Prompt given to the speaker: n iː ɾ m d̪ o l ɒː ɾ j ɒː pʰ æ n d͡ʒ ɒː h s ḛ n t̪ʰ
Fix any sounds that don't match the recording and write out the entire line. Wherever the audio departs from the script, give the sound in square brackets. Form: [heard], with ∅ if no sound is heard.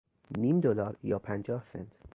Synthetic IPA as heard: n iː [∅] m d̪ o l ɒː ɾ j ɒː pʰ æ n d͡ʒ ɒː h s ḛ n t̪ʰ